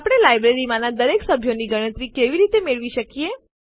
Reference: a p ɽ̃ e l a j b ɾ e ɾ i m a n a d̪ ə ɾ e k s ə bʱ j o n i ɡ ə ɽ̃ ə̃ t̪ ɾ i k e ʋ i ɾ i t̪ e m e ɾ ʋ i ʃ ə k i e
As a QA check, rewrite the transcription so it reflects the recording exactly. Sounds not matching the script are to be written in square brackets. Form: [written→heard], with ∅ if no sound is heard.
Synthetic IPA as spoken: a p ɽ̃ e l a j b ɾ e ɾ i m a n a d̪ ə ɾ e k s ə bʱ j o n i ɡ ə ɽ̃ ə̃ t̪ ɾ i k e ʋ i ɾ i t̪ e m e [ɾ→ɭ] ʋ i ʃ ə k i e

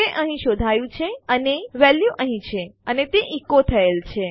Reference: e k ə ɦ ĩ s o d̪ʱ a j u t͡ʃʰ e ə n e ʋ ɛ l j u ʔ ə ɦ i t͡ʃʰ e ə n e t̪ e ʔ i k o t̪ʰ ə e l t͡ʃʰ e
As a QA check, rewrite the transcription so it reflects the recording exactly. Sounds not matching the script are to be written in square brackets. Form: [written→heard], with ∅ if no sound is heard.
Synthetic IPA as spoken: e [k→ʔ] ə ɦ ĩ [s→ʃ] o d̪ʱ a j [u→ũ] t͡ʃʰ e ə n e ʋ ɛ l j u ʔ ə ɦ [i→ĩ] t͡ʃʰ e ə n e t̪ e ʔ i k o t̪ʰ ə e l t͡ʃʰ e

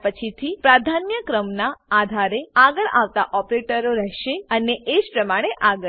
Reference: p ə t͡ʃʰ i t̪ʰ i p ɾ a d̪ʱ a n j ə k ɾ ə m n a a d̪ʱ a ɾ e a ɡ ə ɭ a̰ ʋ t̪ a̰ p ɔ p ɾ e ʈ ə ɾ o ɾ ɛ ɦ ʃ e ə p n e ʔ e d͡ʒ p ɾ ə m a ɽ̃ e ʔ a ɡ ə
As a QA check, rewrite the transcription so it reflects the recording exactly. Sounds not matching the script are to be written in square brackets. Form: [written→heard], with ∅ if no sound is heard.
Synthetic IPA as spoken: p ə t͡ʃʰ i t̪ʰ i p ɾ a d̪ʱ a n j ə k ɾ ə m n a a d̪ʱ a ɾ e a ɡ ə ɭ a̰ ʋ t̪ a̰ [p→ʔ] ɔ p ɾ e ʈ ə ɾ o ɾ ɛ ɦ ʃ e ə [p→∅] n e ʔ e d͡ʒ p ɾ ə m a ɽ̃ e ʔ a ɡ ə

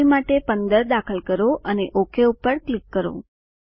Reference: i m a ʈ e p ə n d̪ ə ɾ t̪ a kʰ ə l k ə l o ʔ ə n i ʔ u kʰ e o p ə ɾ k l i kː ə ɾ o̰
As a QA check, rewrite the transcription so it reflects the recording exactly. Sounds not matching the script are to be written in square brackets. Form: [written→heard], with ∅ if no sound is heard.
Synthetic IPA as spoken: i m a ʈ e p ə n d̪ ə ɾ [t̪→d̪] a kʰ ə l k ə [l→ɾ] o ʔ ə n [i→e] ʔ [u→o] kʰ e [o→u] p ə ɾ k l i kː ə ɾ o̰

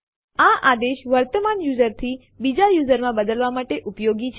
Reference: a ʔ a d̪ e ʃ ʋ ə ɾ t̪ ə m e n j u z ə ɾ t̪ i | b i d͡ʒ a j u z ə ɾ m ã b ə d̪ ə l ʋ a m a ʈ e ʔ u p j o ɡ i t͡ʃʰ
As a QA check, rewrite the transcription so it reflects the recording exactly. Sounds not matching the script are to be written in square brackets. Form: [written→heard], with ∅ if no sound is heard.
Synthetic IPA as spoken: a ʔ a d̪ e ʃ ʋ ə ɾ t̪ ə m [e→a] n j u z ə ɾ [t̪→t̪ʰ] i | b i d͡ʒ a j u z ə ɾ m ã b ə d̪ ə l ʋ a m a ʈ e ʔ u p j o ɡ i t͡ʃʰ

